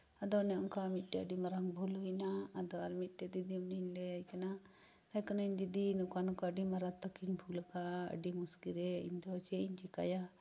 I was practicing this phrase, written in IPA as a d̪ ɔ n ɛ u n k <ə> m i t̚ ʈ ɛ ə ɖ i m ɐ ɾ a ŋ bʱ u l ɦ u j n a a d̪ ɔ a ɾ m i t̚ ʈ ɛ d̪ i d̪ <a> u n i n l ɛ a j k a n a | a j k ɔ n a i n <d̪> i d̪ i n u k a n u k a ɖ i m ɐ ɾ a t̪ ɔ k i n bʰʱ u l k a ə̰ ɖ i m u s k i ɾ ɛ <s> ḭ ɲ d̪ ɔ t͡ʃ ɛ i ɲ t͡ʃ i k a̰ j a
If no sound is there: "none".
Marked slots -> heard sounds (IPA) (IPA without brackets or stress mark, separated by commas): a, i, d̪, none